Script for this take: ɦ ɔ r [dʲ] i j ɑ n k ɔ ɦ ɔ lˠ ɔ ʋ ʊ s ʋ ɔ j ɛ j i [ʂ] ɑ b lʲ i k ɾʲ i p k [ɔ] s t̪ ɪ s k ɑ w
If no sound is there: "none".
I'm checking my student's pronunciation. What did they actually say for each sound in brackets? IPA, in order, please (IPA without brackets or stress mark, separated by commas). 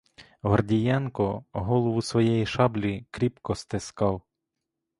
dʲ, ʃ, ɔ